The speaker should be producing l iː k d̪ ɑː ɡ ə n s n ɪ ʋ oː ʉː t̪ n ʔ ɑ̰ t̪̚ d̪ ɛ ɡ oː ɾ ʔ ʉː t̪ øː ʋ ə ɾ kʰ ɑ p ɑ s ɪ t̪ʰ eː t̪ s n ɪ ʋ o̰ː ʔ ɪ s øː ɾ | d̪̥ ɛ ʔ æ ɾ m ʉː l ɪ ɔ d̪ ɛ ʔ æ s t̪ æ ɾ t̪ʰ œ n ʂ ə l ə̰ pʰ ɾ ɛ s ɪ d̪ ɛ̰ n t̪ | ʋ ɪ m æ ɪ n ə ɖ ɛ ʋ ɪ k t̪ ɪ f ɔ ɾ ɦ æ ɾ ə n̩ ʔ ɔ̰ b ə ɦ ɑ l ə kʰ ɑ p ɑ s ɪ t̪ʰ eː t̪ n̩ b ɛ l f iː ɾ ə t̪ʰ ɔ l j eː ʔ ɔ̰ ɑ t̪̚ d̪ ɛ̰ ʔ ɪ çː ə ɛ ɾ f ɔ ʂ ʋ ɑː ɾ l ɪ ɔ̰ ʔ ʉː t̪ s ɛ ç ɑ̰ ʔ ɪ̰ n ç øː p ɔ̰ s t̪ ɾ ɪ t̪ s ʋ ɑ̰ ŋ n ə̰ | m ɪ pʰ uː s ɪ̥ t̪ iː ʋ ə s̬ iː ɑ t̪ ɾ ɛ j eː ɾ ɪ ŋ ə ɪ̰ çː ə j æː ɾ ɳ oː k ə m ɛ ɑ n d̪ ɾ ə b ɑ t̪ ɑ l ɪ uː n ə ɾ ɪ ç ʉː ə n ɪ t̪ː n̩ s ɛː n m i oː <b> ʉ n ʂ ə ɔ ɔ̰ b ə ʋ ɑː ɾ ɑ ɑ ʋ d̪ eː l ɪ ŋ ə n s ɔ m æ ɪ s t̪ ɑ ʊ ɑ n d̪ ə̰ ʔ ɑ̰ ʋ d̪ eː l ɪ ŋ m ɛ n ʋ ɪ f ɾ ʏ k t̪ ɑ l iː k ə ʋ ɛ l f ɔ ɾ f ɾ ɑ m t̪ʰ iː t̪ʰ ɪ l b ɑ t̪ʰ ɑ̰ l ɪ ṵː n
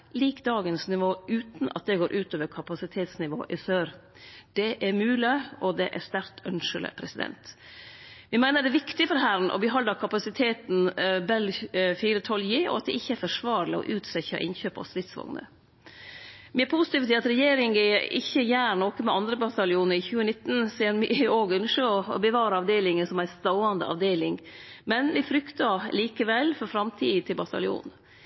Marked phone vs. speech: incorrect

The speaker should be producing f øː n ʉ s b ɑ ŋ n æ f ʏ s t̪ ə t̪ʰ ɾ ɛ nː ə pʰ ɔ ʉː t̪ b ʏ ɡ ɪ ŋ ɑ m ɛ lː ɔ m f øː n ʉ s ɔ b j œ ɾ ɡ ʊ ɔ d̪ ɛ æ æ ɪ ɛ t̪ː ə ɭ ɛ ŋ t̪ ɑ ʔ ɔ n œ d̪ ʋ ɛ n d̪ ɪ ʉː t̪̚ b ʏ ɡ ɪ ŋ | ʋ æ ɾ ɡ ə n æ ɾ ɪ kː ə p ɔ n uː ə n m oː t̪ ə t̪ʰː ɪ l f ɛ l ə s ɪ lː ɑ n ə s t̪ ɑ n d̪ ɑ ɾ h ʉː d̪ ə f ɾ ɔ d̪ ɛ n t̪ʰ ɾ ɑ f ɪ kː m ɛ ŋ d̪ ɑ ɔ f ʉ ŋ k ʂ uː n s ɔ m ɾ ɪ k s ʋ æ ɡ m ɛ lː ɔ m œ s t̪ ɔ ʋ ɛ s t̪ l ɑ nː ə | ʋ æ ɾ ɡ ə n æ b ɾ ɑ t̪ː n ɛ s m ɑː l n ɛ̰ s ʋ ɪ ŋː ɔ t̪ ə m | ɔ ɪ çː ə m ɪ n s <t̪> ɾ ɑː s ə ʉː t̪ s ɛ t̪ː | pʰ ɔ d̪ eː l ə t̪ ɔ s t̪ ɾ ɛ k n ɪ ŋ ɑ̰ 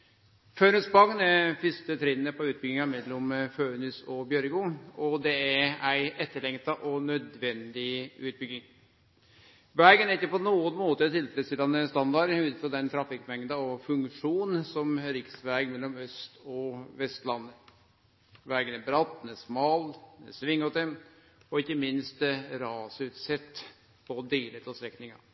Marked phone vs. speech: correct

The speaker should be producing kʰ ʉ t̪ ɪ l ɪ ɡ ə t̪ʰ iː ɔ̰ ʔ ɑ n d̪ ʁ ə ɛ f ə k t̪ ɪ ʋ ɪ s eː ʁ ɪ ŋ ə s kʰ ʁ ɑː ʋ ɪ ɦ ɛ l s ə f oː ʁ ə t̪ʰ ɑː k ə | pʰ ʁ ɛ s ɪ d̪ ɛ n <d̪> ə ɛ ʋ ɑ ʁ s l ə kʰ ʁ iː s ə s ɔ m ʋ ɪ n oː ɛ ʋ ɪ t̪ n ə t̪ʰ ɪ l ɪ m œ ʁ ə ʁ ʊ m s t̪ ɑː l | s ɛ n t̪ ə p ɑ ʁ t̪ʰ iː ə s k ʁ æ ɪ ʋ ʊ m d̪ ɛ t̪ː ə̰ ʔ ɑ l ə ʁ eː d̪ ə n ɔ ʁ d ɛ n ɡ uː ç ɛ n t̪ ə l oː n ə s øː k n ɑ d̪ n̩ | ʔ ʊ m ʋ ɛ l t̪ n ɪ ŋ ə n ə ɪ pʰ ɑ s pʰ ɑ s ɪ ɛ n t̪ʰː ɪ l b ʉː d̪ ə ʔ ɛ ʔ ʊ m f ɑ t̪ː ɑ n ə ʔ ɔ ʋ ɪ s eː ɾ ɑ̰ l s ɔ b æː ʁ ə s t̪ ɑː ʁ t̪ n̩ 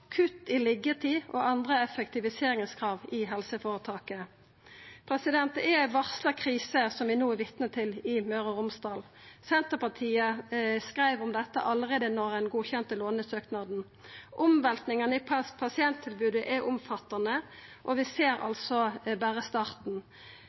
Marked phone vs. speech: incorrect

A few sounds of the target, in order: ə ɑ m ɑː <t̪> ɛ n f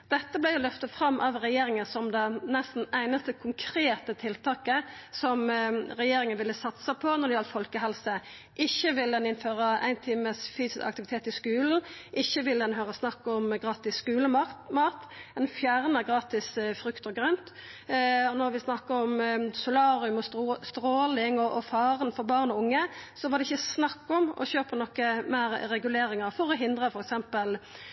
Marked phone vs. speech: correct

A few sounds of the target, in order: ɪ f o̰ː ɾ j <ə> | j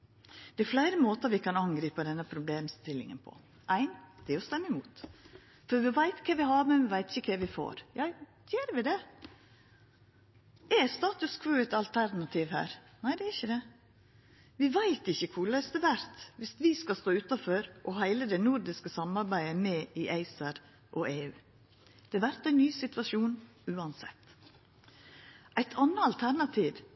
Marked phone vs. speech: incorrect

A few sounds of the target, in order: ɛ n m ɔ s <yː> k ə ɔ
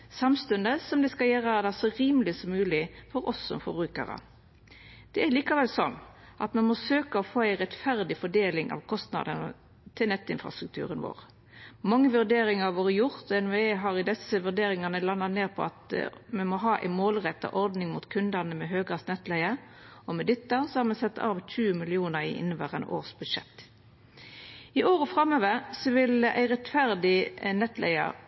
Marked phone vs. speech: incorrect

